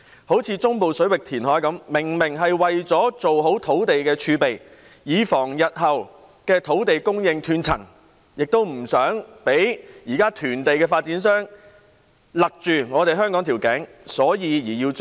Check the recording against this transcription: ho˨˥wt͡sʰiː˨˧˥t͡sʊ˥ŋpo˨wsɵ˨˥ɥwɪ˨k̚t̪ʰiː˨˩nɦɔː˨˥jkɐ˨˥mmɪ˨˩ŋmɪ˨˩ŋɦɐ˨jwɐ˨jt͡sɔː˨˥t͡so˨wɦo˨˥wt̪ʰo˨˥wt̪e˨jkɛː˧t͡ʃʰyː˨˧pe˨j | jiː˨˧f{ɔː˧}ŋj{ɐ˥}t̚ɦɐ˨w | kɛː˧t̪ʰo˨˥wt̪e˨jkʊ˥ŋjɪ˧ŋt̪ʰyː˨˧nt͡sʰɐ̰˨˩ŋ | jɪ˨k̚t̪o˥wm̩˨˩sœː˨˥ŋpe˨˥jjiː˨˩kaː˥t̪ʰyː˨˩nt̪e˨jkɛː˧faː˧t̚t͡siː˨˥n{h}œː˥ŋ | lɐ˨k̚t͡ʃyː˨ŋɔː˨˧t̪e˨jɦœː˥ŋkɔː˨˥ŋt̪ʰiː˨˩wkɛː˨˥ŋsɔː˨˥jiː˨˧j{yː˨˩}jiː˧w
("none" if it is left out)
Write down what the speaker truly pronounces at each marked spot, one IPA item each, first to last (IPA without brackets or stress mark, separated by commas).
ɔː˨˩, ɐ˨, s, iː˨˩